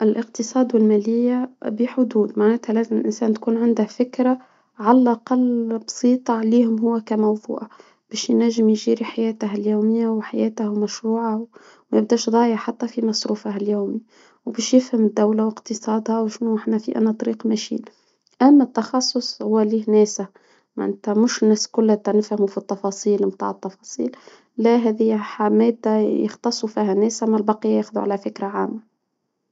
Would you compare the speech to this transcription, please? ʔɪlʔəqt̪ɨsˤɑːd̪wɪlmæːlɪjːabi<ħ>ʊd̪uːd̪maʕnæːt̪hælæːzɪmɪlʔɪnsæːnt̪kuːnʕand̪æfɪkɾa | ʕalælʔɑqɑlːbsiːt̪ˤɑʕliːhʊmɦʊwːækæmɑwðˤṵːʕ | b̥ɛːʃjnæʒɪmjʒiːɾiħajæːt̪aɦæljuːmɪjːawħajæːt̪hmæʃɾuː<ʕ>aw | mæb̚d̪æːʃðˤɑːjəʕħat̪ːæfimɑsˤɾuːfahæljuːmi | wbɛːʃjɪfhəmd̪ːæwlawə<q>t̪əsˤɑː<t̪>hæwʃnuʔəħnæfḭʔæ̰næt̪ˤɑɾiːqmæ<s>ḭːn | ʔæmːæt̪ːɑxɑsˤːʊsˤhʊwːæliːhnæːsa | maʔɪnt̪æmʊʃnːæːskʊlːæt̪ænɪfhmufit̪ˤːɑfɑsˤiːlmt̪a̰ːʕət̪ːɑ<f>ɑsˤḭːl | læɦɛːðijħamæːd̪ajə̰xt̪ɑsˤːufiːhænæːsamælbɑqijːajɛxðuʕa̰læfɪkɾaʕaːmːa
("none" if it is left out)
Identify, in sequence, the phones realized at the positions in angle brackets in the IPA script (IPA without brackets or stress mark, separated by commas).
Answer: ħ, ʕ, q, d̪, ʃ, f